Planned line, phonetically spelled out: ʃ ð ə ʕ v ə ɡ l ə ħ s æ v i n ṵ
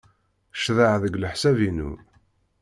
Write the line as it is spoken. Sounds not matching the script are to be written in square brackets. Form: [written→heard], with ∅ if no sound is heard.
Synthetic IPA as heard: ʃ ð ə ʕ [v→ð] ə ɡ l ə ħ s æ v i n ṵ